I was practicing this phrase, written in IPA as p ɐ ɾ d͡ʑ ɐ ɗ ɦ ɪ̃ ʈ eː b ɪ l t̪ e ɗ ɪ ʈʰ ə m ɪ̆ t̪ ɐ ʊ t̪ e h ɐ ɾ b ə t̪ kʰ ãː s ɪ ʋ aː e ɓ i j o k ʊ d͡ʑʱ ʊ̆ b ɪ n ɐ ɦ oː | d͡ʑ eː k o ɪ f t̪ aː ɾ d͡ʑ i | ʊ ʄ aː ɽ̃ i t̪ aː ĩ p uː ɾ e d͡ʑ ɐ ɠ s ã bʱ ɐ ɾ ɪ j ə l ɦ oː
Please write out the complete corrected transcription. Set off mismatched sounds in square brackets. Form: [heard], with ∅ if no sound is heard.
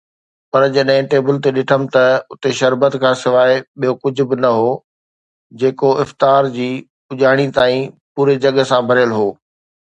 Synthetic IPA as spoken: p ɐ ɾ d͡ʑ ɐ ɗ ɦ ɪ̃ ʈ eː b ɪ l t̪ e ɗ ɪ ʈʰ ə m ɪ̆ t̪ ɐ ʊ t̪ e [ʃ] ɐ ɾ b ə t̪ kʰ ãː s ɪ ʋ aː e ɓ i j o k ʊ d͡ʑʱ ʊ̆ b ɪ n ɐ ɦ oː | d͡ʑ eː k o ɪ f t̪ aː ɾ d͡ʑ [iː] | ʊ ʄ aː ɽ̃ i t̪ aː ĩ p uː ɾ e d͡ʑ ɐ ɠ s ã bʱ ɐ ɾ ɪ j ə l ɦ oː